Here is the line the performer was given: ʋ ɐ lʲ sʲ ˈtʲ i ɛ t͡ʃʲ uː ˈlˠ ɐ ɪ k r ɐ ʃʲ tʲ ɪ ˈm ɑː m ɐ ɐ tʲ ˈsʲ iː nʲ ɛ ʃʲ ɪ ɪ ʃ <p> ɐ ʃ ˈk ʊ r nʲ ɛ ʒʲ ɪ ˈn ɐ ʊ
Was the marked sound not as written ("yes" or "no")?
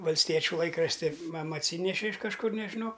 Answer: yes